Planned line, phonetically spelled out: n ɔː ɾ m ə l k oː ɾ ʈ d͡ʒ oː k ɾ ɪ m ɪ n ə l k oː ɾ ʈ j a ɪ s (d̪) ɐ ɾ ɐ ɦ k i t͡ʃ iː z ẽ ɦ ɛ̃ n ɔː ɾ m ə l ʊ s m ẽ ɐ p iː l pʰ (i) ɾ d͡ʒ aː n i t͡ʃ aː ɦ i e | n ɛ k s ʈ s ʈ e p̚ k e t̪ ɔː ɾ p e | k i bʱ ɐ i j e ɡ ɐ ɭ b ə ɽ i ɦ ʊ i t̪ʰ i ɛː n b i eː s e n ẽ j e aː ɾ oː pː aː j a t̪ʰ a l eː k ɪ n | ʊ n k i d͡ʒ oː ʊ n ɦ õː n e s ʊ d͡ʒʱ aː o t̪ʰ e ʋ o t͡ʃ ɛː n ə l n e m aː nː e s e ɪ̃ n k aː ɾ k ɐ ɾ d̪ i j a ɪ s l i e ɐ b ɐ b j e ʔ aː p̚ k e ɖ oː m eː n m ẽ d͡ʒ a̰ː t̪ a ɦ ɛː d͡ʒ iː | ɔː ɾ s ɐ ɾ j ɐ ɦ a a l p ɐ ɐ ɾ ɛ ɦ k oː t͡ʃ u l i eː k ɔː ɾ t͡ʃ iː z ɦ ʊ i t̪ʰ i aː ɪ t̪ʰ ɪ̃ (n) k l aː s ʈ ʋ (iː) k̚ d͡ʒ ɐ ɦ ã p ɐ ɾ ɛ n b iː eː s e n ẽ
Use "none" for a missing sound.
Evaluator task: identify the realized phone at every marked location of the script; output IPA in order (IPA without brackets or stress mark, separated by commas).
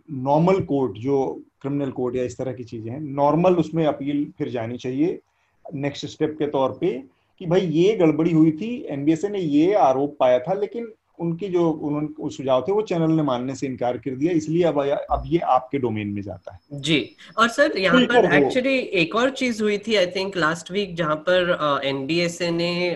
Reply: t̪, ɪ, ŋ, iː